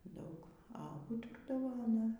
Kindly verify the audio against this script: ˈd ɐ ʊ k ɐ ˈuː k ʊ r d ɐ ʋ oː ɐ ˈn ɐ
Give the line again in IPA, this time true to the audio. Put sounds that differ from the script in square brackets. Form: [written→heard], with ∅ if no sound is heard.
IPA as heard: ˈd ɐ ʊ k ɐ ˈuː [k→t] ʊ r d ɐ ʋ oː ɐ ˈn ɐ